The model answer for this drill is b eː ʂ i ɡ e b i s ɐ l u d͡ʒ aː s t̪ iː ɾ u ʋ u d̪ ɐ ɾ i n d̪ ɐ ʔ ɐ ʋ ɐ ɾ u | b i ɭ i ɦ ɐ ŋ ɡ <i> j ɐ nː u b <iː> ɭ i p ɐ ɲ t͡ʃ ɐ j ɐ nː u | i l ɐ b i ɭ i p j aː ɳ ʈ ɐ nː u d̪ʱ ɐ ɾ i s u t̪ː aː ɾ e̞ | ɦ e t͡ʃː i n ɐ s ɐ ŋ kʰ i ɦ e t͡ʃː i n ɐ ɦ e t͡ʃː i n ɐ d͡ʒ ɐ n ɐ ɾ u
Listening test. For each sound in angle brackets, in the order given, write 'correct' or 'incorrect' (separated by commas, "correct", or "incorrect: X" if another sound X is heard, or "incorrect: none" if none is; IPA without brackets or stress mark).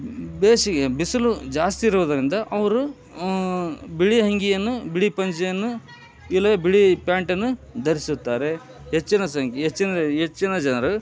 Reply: correct, incorrect: i